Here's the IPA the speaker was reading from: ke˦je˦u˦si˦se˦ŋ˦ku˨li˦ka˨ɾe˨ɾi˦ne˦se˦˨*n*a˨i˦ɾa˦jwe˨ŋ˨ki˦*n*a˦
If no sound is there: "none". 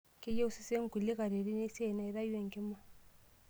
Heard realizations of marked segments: n, m

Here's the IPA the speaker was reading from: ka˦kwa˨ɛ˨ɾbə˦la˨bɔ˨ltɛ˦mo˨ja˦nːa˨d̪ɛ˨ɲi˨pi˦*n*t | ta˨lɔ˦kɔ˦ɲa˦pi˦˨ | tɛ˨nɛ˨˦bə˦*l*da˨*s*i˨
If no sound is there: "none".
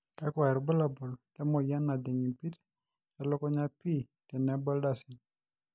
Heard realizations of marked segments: none, l, s

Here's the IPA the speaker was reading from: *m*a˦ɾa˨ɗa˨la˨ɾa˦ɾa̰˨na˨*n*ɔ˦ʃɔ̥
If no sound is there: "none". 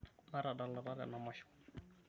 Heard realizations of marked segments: m, m

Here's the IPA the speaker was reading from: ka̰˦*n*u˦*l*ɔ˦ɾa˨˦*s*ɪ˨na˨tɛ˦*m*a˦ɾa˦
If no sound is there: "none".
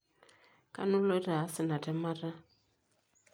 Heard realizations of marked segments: n, l, s, m

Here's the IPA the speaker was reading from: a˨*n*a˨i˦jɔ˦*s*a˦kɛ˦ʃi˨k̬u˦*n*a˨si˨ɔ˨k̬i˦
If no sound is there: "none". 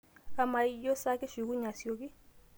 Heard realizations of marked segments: m, s, ɲ

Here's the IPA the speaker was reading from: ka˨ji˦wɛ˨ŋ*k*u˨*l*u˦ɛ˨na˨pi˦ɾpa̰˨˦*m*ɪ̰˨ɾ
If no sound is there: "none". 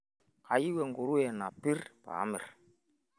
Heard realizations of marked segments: ɡ, ɾ, m

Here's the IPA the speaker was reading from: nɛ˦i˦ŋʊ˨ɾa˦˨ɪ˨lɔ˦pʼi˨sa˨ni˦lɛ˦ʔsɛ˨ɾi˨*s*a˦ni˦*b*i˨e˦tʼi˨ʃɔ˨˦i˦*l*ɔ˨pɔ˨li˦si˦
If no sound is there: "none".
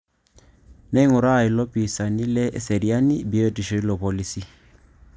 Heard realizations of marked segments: none, b, l

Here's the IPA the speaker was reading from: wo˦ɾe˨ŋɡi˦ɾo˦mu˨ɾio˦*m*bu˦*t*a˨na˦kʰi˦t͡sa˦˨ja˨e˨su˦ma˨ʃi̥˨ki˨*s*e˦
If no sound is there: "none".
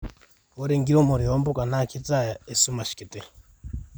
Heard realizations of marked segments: m, k, t

